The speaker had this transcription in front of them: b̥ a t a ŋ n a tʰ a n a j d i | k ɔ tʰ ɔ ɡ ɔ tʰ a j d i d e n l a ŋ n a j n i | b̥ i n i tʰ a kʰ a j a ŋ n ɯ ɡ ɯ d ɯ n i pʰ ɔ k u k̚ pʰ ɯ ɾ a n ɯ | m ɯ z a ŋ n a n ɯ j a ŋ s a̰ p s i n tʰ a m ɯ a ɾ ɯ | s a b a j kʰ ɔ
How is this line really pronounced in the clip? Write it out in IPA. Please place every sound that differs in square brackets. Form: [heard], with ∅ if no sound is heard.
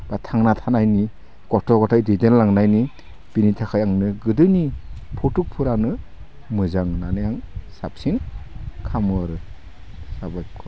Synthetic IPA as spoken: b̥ a [tʰ] a ŋ n a tʰ a n a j [n] i | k ɔ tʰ ɔ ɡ ɔ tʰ a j d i d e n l a ŋ n a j n i | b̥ i n i tʰ a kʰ a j a ŋ n ɯ ɡ ɯ d ɯ n i pʰ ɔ [t] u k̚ pʰ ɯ ɾ a n ɯ | m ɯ z a ŋ n a n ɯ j a ŋ s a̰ p s i n [kʰ] a m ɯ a ɾ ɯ | s a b a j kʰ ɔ